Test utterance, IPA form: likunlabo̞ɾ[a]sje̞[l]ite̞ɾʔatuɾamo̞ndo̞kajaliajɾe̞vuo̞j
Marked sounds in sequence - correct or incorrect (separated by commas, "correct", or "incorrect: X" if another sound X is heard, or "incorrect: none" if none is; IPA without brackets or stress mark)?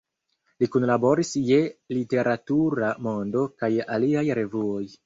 incorrect: i, correct